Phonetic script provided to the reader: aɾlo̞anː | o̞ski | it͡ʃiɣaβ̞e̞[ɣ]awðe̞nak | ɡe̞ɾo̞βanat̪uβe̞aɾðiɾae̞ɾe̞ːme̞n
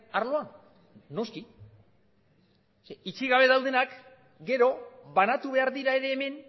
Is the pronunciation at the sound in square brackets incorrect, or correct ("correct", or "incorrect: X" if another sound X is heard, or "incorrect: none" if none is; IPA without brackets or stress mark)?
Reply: incorrect: ð